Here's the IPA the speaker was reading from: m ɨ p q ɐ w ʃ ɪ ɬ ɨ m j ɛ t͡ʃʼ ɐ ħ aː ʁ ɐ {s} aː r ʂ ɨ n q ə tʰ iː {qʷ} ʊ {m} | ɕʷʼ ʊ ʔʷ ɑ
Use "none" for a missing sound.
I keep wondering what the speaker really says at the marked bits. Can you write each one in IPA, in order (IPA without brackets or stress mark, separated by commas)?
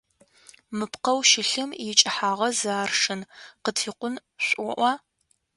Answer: z, qʷ, n